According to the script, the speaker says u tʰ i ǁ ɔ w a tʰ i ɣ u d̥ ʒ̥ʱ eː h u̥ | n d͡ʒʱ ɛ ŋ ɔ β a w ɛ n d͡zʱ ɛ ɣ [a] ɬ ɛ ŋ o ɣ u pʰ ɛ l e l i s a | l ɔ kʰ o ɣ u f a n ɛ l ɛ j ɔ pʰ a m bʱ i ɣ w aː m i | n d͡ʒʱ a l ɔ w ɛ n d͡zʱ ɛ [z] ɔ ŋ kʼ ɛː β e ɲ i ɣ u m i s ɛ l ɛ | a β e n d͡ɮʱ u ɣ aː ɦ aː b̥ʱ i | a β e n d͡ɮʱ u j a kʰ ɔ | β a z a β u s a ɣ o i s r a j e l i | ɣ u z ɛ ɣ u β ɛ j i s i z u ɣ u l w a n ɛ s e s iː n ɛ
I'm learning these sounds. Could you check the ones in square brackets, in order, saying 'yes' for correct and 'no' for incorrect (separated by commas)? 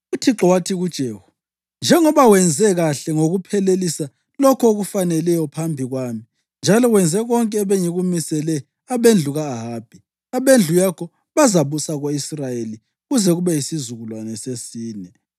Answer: yes, no